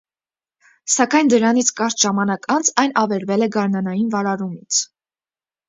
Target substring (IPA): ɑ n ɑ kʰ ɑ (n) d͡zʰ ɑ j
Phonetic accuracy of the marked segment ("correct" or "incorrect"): correct